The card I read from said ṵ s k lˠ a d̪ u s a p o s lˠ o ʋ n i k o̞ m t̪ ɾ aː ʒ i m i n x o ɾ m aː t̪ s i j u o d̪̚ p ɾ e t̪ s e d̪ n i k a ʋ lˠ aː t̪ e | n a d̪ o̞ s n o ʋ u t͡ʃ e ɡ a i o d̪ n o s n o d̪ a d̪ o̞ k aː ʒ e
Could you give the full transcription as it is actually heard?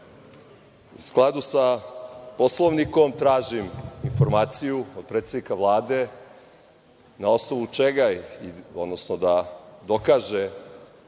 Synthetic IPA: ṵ s k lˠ a d̪ u s a p o s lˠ o ʋ n i k o̞ m t̪ ɾ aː ʒ i m i n f o ɾ m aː t̪ s i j u o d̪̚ p ɾ e t̪ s e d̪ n i k a ʋ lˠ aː d̪ e | n a o̞ s n o ʋ u t͡ʃ e ɡ a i o d̪ n o s n o d̪ a d̪ o̞ k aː ʒ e